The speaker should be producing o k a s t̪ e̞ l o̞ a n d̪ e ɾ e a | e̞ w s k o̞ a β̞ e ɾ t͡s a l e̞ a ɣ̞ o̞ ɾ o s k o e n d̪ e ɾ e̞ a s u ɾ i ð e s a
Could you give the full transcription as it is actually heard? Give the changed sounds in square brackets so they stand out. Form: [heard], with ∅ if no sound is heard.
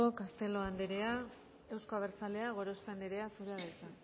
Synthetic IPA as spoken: o k a s t̪ e̞ l o̞ a n d̪ e ɾ e a | e̞ w s k o̞ a β̞ e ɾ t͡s a l e̞ a ɣ̞ o̞ ɾ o s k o [a] n d̪ e ɾ e̞ a s u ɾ [a] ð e [t͡s] a